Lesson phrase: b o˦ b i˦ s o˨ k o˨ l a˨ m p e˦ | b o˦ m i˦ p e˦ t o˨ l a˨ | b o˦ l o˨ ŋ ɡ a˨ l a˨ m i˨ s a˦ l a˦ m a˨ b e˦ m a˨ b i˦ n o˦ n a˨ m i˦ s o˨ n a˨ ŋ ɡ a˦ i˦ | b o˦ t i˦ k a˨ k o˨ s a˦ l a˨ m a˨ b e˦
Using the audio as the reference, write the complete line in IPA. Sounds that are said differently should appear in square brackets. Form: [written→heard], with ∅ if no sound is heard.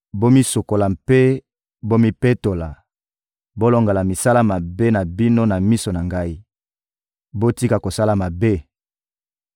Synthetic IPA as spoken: b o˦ [b→m] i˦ s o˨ k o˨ l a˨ m p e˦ | b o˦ m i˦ p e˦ t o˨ l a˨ | b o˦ l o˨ ŋ ɡ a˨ l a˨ m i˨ s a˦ l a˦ m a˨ b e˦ [m→n] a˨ b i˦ n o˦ n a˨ m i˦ s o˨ n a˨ ŋ ɡ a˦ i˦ | b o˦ t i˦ k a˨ k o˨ s a˦ l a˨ m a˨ b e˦

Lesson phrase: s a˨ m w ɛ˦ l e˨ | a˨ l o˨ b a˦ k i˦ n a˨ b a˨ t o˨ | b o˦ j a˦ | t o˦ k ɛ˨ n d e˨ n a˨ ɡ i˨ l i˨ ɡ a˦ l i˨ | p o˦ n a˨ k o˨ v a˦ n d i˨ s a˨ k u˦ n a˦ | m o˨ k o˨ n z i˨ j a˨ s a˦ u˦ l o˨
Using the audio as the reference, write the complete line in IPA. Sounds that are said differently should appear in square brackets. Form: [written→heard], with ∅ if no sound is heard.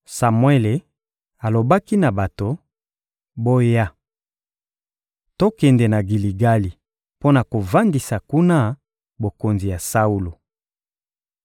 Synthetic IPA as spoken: s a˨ m w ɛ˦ l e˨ | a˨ l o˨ b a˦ k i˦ n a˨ b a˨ t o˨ | b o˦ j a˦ | t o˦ k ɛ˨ n d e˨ n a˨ ɡ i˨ l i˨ ɡ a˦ l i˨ | p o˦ n a˨ k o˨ v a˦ n d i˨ s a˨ k u˦ n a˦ | [m→b] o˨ k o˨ n z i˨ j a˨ s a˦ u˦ l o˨

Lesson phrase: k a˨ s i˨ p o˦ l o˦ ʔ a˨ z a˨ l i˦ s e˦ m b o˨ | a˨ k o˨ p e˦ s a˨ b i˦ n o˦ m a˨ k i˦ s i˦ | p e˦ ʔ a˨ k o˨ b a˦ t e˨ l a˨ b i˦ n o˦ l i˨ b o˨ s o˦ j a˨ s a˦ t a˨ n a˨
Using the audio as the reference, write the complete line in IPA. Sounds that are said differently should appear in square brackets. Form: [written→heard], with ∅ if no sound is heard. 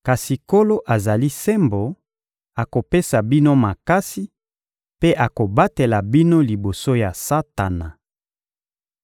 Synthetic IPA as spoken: k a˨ s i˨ [p→k] o˦ l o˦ ʔ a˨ z a˨ l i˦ s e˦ m b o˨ | a˨ k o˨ p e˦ s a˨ b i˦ n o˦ m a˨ k [i˦→a˦] s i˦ | p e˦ ʔ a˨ k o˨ b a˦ t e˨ l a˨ b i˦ n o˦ l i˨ b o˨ s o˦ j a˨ s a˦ t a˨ n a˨

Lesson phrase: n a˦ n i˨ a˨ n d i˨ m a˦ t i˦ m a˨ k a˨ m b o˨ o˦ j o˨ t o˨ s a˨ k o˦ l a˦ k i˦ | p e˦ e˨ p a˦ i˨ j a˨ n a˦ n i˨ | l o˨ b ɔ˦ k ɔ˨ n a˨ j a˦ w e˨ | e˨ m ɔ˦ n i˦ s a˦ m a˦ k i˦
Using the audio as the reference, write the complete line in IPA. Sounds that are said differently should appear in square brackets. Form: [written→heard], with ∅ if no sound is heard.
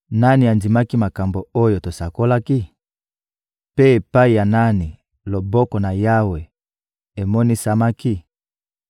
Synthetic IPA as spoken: n a˦ n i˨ a˨ n d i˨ m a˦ [t→k] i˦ m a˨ k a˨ m b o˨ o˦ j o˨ t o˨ s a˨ k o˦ l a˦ k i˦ | p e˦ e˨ p a˦ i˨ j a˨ n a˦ n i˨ | l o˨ b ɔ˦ k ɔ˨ n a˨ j a˦ w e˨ | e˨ m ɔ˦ n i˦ s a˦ m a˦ k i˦

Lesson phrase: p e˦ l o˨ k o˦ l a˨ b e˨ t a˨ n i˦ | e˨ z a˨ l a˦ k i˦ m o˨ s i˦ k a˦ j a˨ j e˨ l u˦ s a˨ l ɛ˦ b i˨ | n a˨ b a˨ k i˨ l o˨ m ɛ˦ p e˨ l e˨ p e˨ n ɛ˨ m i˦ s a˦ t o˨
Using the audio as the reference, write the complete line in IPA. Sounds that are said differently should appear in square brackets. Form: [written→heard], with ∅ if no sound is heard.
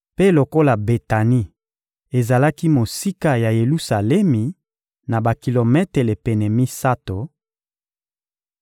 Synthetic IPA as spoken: p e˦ l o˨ k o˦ l a˨ b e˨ t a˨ n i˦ | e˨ z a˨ l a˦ k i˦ m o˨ s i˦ k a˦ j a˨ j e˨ l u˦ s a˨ l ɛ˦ [b→m] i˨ | n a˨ b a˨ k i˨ l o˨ m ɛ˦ [p→t] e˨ l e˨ p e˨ n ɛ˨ m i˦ s a˦ t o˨

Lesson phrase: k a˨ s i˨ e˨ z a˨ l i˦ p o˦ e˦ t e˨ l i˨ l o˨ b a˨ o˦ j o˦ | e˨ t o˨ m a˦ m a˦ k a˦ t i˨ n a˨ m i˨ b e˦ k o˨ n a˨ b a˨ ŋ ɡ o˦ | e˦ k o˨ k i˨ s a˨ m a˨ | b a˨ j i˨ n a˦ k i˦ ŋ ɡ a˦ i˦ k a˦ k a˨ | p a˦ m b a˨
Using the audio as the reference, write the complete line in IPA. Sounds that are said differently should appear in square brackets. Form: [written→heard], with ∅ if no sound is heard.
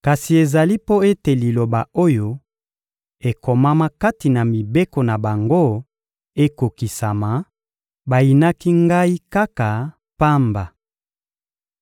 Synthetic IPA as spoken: k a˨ s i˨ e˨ z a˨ l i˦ p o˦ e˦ t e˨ l i˨ l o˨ b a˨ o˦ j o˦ | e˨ [t→k] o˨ m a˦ m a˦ k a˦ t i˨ n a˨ m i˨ b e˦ k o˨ n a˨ b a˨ ŋ ɡ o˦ | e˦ k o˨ k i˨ s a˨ m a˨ | b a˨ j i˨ n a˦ k i˦ ŋ ɡ a˦ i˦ k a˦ k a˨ | p a˦ m b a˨

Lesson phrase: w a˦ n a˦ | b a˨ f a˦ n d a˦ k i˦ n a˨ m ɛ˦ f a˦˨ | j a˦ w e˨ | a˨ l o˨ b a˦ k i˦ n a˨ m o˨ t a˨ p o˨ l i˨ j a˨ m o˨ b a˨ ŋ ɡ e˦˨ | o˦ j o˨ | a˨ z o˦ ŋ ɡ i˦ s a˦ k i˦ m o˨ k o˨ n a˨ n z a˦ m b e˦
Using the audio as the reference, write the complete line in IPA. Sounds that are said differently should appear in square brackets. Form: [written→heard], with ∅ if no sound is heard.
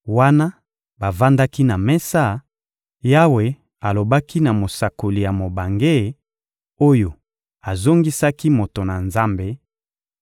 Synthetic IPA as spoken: w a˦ n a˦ | b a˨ [f→v] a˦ n d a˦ k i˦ n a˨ m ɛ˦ [f→s] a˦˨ | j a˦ w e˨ | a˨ l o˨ b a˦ k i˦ n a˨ m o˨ [t→s] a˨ [p→k] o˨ l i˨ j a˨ m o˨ b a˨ ŋ ɡ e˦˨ | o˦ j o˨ | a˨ z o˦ ŋ ɡ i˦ s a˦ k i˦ m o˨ [k→t] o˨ n a˨ n z a˦ m b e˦

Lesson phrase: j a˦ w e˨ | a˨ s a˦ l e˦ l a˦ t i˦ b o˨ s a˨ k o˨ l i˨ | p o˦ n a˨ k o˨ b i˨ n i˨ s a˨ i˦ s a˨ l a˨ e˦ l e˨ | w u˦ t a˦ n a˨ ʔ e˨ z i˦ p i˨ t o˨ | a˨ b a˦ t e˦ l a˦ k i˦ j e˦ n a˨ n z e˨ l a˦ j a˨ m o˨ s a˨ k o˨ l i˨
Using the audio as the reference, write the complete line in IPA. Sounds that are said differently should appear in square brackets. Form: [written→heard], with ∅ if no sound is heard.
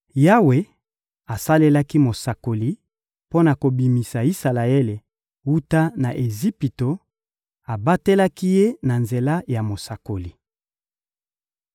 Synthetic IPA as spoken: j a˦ w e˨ | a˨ s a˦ l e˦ l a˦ [t→k] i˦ [b→m] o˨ s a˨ k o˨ l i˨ | p o˦ n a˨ k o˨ b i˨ [n→m] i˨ s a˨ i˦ s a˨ l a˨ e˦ l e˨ | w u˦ t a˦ n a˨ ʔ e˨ z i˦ p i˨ t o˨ | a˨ b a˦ t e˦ l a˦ k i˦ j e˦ n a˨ n z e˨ l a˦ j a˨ m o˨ s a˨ k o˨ l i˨

